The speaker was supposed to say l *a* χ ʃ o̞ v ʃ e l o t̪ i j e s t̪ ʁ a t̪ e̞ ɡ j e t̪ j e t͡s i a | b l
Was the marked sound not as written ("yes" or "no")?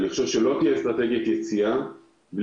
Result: yes